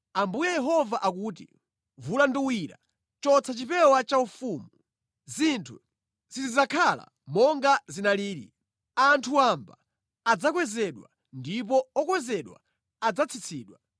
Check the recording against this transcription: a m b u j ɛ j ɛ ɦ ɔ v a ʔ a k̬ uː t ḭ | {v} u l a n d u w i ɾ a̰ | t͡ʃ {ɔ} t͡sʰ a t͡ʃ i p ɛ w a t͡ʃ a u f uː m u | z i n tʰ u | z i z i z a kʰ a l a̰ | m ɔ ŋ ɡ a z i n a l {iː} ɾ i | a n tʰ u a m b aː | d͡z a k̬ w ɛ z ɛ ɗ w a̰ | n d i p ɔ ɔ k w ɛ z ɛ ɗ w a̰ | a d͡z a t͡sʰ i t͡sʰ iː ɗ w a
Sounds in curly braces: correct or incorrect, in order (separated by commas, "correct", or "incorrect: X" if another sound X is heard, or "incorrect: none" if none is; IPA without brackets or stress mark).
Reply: correct, correct, correct